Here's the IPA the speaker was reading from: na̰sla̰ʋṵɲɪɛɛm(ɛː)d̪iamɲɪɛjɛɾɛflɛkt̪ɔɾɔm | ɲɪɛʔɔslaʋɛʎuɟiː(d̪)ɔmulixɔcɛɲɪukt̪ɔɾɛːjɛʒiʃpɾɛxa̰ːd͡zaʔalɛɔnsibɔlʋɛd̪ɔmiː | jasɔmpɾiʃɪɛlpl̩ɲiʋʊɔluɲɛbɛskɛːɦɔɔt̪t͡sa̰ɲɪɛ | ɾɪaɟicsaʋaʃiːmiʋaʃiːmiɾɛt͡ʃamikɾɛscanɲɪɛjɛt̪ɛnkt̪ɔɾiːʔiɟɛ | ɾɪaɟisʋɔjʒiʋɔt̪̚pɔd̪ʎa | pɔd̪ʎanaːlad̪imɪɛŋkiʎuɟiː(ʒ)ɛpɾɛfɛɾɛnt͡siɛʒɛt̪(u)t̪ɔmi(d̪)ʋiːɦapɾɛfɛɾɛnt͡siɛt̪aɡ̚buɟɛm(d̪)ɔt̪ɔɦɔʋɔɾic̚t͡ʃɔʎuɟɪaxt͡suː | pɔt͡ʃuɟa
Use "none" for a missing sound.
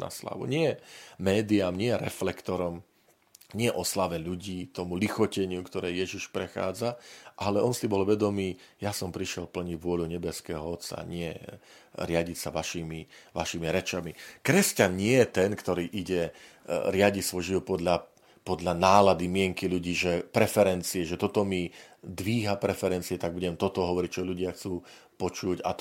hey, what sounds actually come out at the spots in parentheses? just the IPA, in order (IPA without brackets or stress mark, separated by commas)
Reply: ɛː, t̪, ʒ, ɔ, d̪, t̪